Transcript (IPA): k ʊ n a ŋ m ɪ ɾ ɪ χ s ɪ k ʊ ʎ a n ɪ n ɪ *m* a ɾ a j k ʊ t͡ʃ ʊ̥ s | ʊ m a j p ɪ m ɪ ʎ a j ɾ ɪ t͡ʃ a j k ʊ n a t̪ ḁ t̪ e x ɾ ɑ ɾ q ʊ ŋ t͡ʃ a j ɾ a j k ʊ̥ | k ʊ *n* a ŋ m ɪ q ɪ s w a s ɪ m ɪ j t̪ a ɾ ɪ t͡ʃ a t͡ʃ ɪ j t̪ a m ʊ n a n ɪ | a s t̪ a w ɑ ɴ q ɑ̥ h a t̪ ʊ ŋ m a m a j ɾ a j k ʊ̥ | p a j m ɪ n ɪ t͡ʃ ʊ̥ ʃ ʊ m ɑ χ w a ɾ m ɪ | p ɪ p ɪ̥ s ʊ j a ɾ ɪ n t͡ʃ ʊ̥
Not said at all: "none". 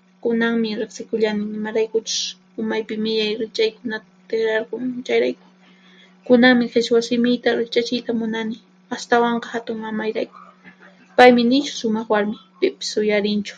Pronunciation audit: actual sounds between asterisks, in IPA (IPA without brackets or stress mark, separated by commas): m, n